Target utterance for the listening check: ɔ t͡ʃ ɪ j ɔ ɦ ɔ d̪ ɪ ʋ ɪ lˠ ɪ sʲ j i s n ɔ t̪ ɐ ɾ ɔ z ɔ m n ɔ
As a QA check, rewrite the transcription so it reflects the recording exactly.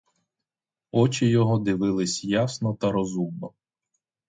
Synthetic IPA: ɔ t͡ʃ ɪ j ɔ ɦ ɔ d̪ ɪ ʋ ɪ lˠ ɪ sʲ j a s n ɔ t̪ ɐ ɾ ɔ z u m n ɔ

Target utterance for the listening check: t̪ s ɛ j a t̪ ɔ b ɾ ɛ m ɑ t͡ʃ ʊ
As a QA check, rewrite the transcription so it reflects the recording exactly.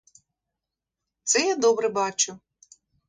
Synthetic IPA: t̪ s ɛ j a d̪ ɔ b ɾ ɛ b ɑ t͡ʃ ʊ

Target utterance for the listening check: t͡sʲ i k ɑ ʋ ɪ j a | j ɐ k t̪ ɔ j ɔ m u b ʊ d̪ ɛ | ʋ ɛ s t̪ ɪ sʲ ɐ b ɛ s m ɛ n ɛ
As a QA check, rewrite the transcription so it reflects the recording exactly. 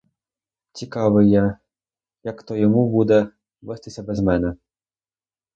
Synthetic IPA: t͡sʲ i k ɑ ʋ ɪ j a | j ɐ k t̪ ɔ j ɔ m u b u d̪ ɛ | ʋ ɛ s t̪ ɪ sʲ ɐ b ɛ z m ɛ n ɛ

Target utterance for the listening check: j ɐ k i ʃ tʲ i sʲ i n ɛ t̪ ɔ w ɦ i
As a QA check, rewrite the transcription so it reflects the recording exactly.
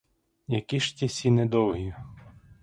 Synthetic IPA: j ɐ k i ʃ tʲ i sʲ i n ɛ d̪ ɔ w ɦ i

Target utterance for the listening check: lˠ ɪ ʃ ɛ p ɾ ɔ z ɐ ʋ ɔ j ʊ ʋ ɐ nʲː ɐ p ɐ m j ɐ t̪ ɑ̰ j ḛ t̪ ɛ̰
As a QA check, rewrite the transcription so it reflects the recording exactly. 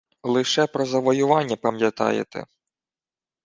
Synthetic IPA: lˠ ɪ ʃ ɛ p ɾ ɔ z ɐ ʋ ɔ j ʊ ʋ ɑ nʲː ɐ p ɐ m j ɐ t̪ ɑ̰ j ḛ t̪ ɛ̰

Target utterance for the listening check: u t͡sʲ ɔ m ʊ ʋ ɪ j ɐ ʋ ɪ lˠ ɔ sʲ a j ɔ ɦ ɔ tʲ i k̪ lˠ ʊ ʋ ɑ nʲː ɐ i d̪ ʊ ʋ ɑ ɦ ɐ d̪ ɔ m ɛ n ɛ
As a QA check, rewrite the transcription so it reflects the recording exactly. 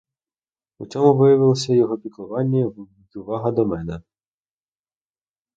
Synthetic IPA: u t͡sʲ ɔ m ʊ ʋ ɪ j ɐ ʋ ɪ lˠ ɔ sʲ ɐ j ɔ ɦ ɔ pʲ i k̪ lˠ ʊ ʋ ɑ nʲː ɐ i d̪ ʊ ʋ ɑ ɦ ɐ d̪ ɔ m ɛ n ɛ

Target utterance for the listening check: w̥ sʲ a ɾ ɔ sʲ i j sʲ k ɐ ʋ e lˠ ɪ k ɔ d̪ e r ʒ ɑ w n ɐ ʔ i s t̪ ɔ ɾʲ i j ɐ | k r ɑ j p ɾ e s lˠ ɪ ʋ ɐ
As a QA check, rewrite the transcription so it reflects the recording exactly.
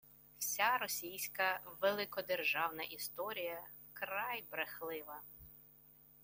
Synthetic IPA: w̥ sʲ a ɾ ɔ sʲ i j sʲ k ɐ ʋ e lˠ ɪ k ɔ d̪ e r ʒ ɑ w n ɐ ʔ i s t̪ ɔ ɾʲ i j ɐ | k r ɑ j b ɾ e x lˠ ɪ ʋ ɐ

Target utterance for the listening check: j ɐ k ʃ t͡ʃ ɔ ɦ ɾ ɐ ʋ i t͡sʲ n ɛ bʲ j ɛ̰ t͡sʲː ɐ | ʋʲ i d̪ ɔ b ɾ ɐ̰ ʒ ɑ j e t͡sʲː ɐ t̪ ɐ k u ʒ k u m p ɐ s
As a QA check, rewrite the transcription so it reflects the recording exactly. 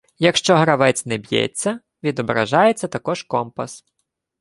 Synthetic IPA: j ɐ k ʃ t͡ʃ ɔ ɦ ɾ ɐ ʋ ɛ t͡sʲ n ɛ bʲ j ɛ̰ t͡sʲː ɐ | ʋʲ i d̪ ɔ b ɾ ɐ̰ ʒ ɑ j e t͡sʲː ɐ t̪ ɐ k ɔ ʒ k ɔ m p ɐ s

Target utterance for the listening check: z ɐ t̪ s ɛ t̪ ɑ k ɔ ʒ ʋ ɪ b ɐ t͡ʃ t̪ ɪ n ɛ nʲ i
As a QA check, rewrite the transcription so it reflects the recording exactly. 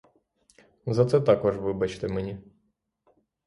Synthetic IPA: z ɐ t̪ s ɛ t̪ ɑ k ɔ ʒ ʋ ɪ b ɐ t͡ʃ t̪ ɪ m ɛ nʲ i

